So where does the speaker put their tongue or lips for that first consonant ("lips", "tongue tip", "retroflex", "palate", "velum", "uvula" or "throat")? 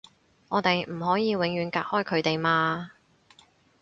velum